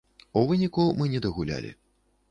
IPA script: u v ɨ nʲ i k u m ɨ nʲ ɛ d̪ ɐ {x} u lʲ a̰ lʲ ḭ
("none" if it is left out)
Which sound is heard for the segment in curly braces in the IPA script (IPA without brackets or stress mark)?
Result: ɣ